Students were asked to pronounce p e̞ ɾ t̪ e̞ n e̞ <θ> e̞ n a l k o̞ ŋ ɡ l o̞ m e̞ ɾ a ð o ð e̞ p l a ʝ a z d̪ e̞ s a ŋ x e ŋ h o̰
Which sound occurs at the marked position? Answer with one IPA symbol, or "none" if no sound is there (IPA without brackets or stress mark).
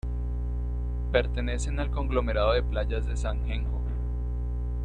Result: s